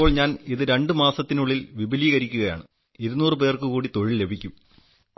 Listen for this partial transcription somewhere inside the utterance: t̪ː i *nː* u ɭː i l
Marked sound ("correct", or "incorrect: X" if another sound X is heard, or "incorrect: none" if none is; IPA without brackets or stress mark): incorrect: n